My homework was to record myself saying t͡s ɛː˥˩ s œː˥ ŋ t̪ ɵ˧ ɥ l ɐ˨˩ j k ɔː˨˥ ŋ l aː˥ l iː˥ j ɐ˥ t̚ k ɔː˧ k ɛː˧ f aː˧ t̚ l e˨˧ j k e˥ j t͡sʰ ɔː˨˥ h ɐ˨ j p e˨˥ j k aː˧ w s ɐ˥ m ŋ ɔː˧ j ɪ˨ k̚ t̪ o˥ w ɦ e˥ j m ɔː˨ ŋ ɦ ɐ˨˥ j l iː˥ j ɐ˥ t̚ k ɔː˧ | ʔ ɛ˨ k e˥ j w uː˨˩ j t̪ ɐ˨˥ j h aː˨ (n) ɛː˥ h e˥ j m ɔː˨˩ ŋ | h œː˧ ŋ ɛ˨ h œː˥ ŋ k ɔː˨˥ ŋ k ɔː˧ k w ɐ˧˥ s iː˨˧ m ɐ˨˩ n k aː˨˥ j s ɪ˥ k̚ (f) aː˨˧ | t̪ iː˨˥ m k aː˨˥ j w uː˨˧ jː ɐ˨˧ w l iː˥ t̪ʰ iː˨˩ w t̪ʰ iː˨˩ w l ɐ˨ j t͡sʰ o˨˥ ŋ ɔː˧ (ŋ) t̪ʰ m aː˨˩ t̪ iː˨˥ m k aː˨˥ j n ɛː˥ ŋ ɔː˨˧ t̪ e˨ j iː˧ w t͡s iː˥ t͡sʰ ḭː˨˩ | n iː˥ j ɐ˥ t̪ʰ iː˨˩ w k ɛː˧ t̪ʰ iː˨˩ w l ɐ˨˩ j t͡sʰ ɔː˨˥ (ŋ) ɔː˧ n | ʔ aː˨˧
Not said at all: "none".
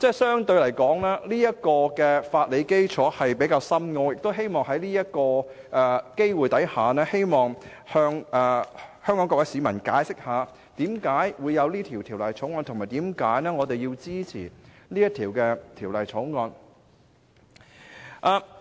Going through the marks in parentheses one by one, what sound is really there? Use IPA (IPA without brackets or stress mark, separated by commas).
n, h, n, ŋ